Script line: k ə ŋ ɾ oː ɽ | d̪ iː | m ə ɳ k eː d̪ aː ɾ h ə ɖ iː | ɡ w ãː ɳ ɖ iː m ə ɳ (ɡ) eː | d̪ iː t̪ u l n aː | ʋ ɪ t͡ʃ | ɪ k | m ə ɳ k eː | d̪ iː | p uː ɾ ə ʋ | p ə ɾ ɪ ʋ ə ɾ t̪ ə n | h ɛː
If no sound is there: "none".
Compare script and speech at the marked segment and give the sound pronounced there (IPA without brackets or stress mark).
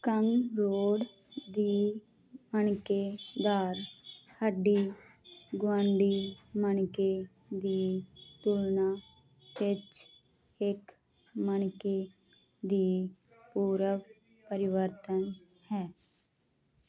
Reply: k